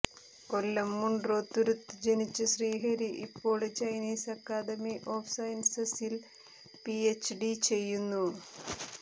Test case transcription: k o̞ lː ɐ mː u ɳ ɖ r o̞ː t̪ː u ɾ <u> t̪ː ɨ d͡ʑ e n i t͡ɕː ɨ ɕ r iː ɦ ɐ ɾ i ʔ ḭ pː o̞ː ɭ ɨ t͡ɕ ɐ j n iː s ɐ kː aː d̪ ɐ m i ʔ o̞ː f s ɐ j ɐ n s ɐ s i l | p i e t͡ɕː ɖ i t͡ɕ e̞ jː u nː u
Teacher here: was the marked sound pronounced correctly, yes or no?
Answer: yes